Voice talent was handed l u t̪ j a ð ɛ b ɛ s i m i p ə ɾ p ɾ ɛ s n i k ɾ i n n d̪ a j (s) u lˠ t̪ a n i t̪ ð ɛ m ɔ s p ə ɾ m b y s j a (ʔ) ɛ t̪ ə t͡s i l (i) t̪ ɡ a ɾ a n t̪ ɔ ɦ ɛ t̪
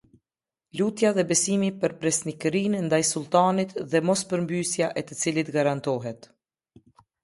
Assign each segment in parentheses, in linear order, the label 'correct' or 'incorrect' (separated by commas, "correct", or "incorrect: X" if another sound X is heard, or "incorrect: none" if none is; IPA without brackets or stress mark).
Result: correct, correct, correct